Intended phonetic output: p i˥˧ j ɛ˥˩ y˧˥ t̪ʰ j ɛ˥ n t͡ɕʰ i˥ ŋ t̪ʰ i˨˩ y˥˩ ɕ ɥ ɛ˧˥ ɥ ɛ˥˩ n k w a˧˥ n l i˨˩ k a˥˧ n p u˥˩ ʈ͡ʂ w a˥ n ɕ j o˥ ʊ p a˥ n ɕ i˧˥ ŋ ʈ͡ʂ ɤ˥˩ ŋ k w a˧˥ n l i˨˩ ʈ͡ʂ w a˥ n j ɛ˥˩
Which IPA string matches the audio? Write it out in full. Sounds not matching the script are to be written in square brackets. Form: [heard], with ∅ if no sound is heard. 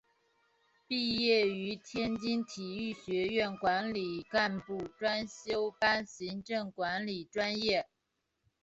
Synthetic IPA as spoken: p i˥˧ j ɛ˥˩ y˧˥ t̪ʰ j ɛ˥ n [t͡ɕ] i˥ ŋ t̪ʰ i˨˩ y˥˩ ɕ ɥ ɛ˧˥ ɥ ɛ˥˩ n k w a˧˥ n l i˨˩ k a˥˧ n p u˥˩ ʈ͡ʂ w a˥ n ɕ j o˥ ʊ p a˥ n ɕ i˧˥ ŋ ʈ͡ʂ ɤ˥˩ ŋ k w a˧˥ n l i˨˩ ʈ͡ʂ w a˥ n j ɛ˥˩